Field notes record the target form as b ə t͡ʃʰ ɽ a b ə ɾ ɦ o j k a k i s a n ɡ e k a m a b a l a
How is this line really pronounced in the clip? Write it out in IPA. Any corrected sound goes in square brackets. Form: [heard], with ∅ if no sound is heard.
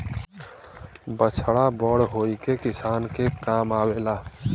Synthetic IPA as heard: b ə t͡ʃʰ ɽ a b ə [ɽ] ɦ o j k [e] k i s a n [k] e k a m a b [e] l a